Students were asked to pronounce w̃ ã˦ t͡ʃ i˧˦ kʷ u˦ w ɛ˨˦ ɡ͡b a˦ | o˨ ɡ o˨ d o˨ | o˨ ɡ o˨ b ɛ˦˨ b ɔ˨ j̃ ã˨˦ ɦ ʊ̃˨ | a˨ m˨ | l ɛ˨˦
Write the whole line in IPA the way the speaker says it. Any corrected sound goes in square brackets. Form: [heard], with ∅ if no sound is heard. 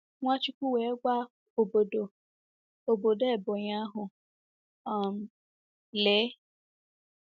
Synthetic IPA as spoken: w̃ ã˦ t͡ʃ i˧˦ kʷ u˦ w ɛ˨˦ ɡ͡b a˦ | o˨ [b] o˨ d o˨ | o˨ [b] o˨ [d] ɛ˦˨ b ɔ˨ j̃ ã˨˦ ɦ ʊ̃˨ | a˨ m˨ | l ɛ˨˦